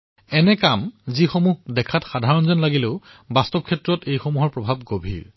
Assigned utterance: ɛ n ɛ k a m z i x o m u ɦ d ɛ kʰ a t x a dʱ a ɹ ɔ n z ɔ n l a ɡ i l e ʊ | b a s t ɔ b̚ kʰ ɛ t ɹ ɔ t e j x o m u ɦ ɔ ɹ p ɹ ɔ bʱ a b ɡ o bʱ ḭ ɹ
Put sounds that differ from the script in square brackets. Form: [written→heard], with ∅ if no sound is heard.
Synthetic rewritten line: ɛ n ɛ k a m z i x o m u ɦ d ɛ kʰ a t x a dʱ a ɹ ɔ n z ɔ n l a ɡ i l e ʊ | b a s t ɔ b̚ kʰ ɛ t ɹ ɔ t e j x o m u ɦ ɔ ɹ p ɹ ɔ bʱ a b ɡ o bʱ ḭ ɹ